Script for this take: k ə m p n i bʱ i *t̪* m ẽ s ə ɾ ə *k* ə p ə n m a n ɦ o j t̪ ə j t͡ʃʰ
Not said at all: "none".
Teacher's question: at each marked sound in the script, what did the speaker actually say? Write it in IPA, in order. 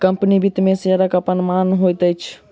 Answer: t̪, k

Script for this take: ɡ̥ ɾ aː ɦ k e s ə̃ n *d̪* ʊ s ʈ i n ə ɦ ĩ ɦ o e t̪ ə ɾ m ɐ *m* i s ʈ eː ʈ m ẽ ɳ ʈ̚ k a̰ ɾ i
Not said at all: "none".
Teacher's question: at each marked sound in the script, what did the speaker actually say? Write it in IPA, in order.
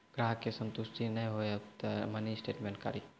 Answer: t̪, n

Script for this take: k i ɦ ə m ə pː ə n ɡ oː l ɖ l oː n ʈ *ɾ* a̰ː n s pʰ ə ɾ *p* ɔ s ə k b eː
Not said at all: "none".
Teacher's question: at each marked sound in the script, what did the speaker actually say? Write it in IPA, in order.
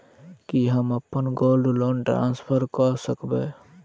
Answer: ɾ, k

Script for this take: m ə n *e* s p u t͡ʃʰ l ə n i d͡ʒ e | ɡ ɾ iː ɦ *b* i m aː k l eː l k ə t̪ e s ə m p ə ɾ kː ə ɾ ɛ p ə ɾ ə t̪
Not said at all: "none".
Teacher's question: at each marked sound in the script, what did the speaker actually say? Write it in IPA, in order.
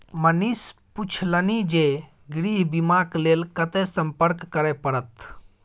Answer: i, b

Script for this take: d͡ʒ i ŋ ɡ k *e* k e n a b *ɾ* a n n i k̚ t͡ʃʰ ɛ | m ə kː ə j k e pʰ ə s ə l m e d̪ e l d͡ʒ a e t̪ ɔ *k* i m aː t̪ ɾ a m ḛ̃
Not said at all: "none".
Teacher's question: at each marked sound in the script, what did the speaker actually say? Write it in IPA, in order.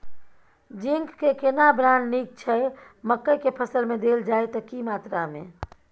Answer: e, ɾ, k

